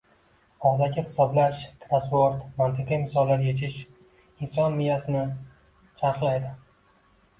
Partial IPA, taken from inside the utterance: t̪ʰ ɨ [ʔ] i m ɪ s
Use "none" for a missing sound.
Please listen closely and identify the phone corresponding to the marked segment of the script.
q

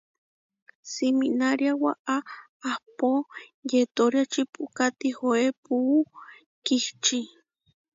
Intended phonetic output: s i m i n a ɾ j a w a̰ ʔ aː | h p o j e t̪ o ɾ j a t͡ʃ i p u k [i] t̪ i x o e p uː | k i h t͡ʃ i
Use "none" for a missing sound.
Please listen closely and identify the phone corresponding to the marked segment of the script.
a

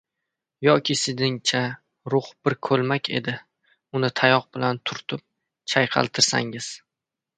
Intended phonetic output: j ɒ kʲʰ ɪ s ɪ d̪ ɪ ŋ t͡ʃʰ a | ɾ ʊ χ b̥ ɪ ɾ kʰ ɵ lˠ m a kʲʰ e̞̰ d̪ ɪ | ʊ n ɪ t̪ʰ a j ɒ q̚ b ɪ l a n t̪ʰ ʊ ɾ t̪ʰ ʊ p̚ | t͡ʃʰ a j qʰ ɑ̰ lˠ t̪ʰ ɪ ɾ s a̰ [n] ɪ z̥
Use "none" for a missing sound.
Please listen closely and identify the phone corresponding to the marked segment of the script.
ŋ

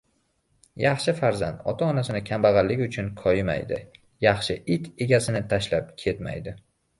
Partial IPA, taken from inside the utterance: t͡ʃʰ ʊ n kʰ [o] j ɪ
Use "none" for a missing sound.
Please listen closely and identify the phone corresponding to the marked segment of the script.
ɒ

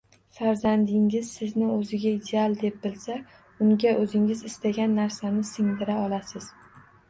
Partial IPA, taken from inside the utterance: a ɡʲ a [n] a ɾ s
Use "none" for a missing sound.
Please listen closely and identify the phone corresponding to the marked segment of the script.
nː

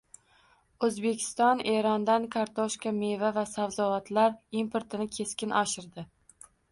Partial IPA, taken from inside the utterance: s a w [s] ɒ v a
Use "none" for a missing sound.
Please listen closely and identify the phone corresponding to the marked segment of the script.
z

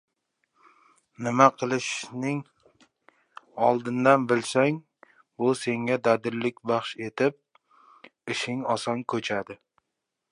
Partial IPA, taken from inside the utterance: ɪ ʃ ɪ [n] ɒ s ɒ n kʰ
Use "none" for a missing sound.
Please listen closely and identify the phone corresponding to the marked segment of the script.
ŋ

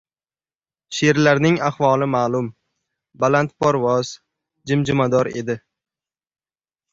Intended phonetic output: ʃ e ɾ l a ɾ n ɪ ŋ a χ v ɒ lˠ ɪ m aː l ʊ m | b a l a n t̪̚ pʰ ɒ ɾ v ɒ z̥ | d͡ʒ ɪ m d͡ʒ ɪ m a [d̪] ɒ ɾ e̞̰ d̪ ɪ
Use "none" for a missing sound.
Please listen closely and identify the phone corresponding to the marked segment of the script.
d̪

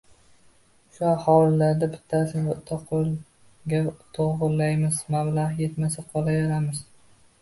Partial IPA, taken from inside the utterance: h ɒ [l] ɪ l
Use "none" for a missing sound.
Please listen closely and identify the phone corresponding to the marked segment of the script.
l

